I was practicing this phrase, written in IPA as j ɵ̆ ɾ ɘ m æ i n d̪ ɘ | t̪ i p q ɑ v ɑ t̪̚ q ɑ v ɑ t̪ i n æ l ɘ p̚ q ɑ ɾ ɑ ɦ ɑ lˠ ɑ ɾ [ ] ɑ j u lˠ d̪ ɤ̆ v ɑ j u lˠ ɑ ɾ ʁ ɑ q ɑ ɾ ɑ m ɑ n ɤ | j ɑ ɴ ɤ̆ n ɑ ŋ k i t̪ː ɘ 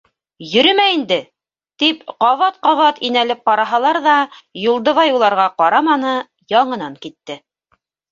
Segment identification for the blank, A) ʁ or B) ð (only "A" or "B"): B